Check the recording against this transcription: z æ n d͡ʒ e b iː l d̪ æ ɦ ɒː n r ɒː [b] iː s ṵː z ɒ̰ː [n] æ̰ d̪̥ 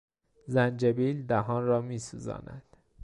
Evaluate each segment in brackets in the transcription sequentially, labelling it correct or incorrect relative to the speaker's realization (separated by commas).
incorrect, correct